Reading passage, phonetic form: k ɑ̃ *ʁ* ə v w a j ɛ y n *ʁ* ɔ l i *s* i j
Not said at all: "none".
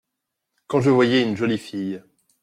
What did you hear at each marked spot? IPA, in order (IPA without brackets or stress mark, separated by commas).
ʒ, ʒ, f